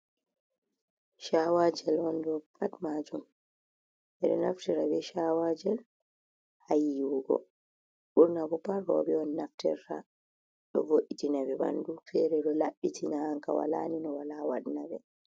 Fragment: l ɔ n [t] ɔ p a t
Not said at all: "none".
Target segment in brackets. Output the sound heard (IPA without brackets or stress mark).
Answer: d